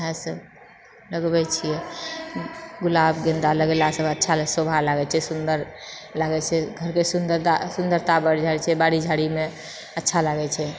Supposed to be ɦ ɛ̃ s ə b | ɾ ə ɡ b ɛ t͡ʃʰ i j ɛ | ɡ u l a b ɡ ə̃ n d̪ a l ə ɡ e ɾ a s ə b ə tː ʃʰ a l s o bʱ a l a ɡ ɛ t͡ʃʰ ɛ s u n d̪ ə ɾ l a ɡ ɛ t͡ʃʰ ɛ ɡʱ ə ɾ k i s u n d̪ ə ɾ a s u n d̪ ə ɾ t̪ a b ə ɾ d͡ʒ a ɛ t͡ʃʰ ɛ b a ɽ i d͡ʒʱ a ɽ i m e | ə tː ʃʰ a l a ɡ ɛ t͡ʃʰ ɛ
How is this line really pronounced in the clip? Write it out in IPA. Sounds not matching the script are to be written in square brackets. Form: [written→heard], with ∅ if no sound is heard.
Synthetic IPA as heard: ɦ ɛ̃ s ə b | [ɾ→l] ə ɡ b ɛ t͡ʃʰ i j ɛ | ɡ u l a b ɡ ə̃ n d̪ a l ə ɡ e [ɾ→l] a s ə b ə tː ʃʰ a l s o bʱ a l a ɡ ɛ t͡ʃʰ ɛ s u n d̪ ə ɾ l a ɡ ɛ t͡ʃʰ ɛ ɡʱ ə ɾ k [i→e] s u n d̪ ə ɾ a s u n d̪ ə ɾ t̪ a b ə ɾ d͡ʒ a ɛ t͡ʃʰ ɛ b a ɽ i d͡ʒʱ a ɽ i m e | ə tː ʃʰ a l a ɡ ɛ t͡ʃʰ ɛ

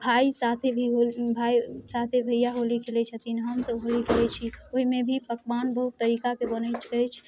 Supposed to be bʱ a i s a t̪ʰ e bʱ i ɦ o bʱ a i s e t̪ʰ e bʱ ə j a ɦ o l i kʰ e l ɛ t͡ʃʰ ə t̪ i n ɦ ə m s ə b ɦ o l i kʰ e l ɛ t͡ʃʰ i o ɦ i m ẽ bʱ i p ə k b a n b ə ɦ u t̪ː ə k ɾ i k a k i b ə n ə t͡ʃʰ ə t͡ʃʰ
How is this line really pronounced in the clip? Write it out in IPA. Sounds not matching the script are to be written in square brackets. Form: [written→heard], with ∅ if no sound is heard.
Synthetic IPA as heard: bʱ a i s a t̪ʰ e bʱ i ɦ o bʱ a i s [e→a] t̪ʰ e bʱ ə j a ɦ o l i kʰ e l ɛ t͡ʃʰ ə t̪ i n ɦ ə m s ə b ɦ o l i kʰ e l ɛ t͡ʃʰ i o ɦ i m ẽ bʱ i p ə k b a n b ə ɦ u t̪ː ə [k→∅] ɾ i k a k [i→e] b ə n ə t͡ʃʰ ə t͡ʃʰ

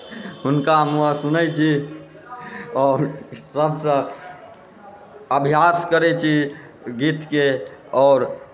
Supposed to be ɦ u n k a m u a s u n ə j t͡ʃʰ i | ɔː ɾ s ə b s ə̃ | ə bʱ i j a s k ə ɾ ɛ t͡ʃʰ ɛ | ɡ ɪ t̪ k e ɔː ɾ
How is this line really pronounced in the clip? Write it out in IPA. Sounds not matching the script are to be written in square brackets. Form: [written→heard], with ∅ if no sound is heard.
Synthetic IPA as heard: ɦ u n k a m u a s u n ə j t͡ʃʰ i | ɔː ɾ s ə b s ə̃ | ə bʱ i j a s k ə ɾ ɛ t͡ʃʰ [ɛ→i] | ɡ [ɪ→i] t̪ k e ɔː ɾ

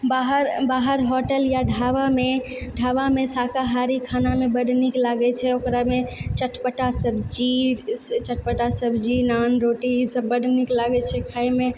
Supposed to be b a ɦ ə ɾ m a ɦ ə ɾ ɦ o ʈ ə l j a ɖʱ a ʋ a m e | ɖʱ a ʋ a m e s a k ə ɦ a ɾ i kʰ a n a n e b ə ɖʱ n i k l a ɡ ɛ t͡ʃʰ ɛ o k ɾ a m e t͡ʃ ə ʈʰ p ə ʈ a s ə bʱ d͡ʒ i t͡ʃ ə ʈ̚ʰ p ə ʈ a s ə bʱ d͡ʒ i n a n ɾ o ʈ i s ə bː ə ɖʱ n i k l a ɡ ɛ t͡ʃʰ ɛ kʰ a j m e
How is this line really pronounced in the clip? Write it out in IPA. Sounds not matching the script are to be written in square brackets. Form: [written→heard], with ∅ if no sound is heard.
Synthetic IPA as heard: b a ɦ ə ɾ [m→b] a ɦ ə ɾ ɦ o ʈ ə l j a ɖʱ a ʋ a m e | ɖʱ a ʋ a m e s a k [ə→a] ɦ a ɾ i kʰ a n a [n→m] e b ə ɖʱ n i k l a ɡ ɛ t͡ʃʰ ɛ o k ɾ a m e t͡ʃ ə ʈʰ p ə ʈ a s ə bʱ d͡ʒ i t͡ʃ ə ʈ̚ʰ p ə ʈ a s ə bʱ d͡ʒ i n a n ɾ o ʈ i s ə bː ə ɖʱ n i k l a ɡ ɛ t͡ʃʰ ɛ kʰ a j m e

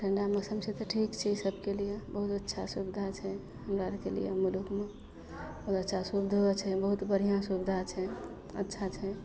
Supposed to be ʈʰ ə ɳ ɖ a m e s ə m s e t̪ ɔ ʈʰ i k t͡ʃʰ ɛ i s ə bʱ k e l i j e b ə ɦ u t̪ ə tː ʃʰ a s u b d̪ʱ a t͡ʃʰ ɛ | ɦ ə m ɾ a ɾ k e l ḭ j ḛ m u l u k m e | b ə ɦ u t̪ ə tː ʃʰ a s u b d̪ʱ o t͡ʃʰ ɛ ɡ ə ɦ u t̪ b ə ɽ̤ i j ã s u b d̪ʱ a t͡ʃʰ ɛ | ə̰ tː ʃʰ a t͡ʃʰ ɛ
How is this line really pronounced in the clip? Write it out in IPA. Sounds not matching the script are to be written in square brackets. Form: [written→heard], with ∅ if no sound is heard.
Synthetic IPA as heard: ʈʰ ə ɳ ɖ a m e s ə m s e t̪ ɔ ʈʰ i k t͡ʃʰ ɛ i s ə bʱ k e l i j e b ə ɦ u t̪ ə tː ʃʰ a s u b d̪ʱ a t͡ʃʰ ɛ | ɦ ə m ɾ a ɾ k e l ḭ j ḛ m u l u k m e | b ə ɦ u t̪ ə tː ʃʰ a s u b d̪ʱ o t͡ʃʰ ɛ [ɡ→b] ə ɦ u t̪ b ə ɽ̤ i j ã s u b d̪ʱ a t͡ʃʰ ɛ | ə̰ tː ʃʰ a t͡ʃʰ ɛ

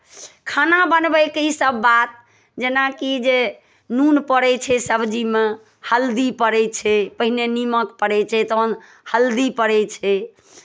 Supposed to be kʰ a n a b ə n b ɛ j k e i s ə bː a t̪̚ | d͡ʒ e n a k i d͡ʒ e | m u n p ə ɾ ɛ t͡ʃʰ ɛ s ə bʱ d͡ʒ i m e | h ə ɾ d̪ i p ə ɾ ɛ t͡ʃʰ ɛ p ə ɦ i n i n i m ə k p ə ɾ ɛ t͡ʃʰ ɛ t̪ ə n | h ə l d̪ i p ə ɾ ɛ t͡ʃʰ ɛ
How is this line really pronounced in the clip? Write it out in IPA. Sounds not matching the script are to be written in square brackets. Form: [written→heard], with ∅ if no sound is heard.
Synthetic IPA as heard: kʰ a n a b ə n b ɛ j k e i s ə bː a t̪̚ | d͡ʒ e n a k i d͡ʒ e | [m→n] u n p ə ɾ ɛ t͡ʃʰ ɛ s ə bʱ d͡ʒ i m e | h ə [ɾ→l] d̪ i p ə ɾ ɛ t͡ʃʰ ɛ p ə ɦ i n [i→e] n i m ə k p ə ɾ ɛ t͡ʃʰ ɛ t̪ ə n | h ə l d̪ i p ə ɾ ɛ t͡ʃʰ ɛ

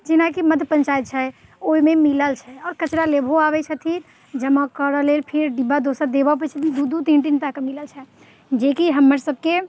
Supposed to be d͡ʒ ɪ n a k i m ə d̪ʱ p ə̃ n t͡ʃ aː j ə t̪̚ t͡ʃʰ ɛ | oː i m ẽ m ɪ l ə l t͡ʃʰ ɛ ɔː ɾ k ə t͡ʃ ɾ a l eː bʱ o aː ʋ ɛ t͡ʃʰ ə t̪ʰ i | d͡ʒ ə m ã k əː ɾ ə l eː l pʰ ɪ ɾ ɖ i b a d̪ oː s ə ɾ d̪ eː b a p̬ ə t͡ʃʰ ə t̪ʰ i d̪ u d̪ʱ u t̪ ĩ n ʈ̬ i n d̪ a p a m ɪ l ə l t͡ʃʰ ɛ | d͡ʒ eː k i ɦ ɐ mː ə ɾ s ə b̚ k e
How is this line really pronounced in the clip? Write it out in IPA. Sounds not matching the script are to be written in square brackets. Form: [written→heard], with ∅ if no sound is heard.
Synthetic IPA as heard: d͡ʒ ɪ n a k i m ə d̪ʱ p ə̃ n t͡ʃ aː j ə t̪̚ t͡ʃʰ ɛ | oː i m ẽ m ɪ l ə l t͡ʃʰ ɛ ɔː ɾ k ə t͡ʃ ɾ a l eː bʱ o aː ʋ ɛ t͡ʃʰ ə t̪ʰ i | d͡ʒ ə m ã k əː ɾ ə l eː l pʰ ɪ ɾ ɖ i b a d̪ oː s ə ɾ d̪ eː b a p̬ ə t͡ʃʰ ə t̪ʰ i d̪ u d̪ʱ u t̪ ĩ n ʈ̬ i n [d̪→t̪] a [p→k] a m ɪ l ə l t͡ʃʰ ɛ | d͡ʒ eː k i ɦ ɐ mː ə ɾ s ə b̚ k e

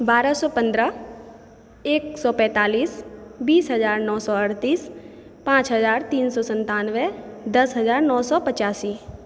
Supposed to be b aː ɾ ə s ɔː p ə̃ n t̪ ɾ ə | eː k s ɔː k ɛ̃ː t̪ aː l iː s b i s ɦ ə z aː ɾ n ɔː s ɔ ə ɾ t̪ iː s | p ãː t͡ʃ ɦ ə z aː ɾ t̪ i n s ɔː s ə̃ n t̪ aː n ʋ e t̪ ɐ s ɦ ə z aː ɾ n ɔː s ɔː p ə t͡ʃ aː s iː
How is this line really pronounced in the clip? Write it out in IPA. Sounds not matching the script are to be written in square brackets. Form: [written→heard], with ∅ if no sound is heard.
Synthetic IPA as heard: b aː ɾ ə s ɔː p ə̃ n [t̪→d̪] ɾ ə | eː k s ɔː [k→p] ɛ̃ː t̪ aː l iː s b [i→iː] s ɦ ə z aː ɾ n ɔː s ɔ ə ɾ t̪ iː s | p ãː t͡ʃ ɦ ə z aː ɾ t̪ [i→iː] n s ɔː s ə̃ n t̪ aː n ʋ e [t̪→d̪] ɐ s ɦ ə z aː ɾ n ɔː s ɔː p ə t͡ʃ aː s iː

